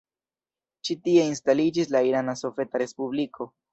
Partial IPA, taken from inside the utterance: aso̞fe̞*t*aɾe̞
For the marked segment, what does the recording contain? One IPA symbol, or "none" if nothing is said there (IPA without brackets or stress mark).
t